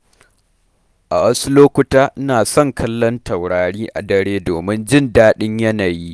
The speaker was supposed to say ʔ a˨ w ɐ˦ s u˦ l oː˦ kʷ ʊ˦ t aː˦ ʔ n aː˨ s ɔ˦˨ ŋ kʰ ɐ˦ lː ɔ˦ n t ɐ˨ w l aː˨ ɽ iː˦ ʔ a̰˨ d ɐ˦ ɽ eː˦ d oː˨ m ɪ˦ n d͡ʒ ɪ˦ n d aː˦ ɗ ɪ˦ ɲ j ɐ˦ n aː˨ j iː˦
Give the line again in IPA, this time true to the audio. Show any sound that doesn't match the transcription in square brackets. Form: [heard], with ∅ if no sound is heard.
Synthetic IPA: ʔ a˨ w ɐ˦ s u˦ l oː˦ kʷ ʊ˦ t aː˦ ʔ n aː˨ s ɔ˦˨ ŋ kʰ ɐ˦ lː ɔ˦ n t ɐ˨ w [ɽ] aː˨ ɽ iː˦ ʔ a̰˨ d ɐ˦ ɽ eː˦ d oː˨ m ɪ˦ n d͡ʒ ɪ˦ n d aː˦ ɗ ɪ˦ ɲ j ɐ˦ n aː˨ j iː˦